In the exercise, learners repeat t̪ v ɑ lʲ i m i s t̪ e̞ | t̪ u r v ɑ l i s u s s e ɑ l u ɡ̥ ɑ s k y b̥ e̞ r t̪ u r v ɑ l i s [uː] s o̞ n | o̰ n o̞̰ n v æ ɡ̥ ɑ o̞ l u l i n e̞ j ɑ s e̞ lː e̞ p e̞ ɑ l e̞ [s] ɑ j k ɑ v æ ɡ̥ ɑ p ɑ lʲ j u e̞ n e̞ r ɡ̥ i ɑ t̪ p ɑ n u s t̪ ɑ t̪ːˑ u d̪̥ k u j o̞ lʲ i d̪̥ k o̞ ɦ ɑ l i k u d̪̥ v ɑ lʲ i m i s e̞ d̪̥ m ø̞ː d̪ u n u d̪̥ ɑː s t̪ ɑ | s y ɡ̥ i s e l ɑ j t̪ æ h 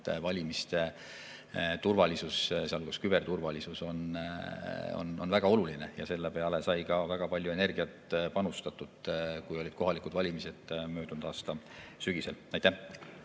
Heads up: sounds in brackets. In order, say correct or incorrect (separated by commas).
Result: incorrect, correct